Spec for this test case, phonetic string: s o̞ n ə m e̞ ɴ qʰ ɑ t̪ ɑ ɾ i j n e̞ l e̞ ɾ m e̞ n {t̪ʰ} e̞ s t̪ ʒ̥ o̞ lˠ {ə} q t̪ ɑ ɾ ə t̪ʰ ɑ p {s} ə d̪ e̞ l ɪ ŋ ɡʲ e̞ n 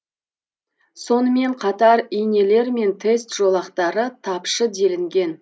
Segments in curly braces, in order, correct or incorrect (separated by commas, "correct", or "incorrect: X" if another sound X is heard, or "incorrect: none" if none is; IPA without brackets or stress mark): correct, incorrect: ɑ, incorrect: ʃ